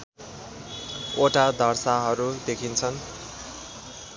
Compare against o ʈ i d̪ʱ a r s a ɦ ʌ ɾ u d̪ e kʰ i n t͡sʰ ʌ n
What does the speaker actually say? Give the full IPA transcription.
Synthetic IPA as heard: o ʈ a d̪ʱ ʌ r s a ɦ ʌ ɾ u d̪ e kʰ i n t͡sʰ ʌ n